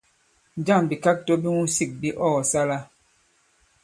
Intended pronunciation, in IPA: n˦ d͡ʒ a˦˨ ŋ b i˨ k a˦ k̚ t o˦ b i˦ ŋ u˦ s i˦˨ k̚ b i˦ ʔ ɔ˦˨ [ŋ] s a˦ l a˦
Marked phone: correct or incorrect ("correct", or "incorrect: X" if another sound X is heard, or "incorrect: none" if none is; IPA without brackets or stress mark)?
incorrect: none